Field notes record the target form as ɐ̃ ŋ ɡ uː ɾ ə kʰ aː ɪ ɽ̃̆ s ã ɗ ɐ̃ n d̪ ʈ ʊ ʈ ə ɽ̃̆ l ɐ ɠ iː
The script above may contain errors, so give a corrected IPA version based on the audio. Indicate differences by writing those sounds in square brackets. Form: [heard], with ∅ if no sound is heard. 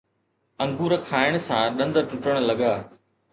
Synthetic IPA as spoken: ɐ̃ ŋ ɡ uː ɾ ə kʰ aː ɪ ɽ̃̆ s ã ɗ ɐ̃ n d̪ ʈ ʊ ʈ ə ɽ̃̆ l ɐ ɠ [aː]